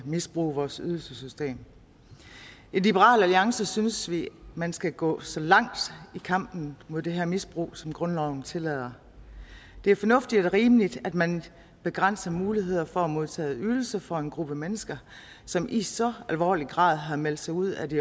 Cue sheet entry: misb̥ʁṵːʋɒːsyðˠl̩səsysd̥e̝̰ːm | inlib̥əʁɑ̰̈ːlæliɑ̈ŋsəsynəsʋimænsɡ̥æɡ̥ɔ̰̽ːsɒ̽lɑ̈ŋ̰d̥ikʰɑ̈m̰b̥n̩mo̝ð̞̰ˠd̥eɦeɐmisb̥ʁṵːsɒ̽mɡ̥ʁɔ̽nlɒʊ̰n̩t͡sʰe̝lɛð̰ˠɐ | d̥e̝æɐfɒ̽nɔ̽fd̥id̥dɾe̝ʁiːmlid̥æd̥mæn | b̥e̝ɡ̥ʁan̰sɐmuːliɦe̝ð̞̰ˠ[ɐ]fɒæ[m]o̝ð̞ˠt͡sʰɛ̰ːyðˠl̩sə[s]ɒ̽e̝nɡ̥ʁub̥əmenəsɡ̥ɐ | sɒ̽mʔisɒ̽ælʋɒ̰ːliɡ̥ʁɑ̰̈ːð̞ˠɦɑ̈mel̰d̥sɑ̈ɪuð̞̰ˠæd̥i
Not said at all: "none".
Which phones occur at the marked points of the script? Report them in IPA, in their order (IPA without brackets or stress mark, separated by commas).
ɐ, m, f